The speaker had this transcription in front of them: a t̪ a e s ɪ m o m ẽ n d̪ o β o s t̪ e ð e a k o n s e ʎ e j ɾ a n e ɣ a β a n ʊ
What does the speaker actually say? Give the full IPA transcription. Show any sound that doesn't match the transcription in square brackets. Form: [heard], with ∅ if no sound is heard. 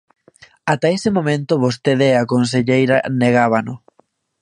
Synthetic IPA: a t̪ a e s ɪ m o m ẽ n [t̪] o β o s t̪ e ð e a k o n s e ʎ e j ɾ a n e ɣ a β a n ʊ

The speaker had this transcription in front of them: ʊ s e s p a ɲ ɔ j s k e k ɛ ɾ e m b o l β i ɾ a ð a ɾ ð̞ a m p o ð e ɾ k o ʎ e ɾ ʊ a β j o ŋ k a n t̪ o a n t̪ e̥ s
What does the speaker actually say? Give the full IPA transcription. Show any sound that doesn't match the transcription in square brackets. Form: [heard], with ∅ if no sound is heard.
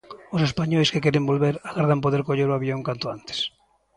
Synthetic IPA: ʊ s e s p a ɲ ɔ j s k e k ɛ ɾ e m b o l β [e] ɾ a [ɣ] a ɾ ð̞ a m p o ð e ɾ k o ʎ e ɾ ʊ a β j o ŋ k a n t̪ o a n t̪ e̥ s

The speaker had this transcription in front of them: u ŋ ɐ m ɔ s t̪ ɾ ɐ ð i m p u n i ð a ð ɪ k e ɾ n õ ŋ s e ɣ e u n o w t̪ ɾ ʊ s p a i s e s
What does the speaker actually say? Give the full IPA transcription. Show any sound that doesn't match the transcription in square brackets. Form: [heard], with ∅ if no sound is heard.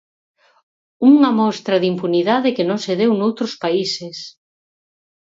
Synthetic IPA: u ŋ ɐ m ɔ s t̪ ɾ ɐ ð i m p u n i ð a ð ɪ k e [∅] n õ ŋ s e [ð] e [w] n o w t̪ ɾ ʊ s p a i s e s

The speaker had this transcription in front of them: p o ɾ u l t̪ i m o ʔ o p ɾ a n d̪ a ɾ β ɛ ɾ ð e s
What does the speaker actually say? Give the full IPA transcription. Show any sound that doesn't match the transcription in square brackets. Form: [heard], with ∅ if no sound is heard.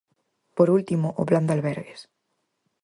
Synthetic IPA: p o ɾ u l t̪ i m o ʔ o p [l] a n d̪ a [l] β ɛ ɾ [ɣ] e s

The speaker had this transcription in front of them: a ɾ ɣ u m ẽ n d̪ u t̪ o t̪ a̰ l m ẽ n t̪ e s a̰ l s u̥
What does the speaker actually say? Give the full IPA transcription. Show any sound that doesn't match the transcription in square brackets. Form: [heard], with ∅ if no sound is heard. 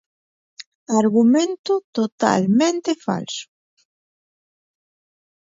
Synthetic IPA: a ɾ ɣ u m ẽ n [t̪] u t̪ o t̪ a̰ l m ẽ n t̪ e [f] a̰ l s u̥

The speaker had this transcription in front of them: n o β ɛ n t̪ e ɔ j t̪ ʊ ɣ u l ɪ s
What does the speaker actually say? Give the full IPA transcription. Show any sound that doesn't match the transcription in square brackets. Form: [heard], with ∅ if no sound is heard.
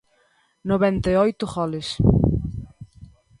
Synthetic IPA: n o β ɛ n t̪ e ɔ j t̪ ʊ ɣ [ɔ] l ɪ s

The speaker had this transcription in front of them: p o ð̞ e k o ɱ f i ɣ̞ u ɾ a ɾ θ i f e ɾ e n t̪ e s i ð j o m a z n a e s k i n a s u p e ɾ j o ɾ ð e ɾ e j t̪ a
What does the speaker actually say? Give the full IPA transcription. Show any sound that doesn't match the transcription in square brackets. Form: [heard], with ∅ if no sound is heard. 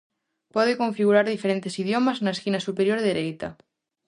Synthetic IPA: p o ð̞ e k o ɱ f i ɣ̞ u ɾ a ɾ [ð] i f e ɾ e n t̪ e s i ð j o m a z n a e s k i n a s u p e ɾ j o ɾ ð e ɾ e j t̪ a

